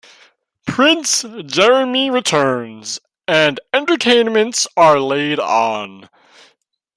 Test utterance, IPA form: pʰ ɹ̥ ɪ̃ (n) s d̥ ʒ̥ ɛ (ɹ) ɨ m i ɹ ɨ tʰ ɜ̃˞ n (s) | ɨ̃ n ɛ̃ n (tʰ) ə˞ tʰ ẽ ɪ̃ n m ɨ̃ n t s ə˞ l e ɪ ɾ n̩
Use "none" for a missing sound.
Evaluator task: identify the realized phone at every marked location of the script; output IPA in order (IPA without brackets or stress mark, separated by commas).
n, ɹ, z, t